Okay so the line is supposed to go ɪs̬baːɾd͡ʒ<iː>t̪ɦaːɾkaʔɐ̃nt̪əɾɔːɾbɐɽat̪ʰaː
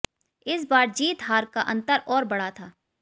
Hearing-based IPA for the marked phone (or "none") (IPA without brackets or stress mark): iː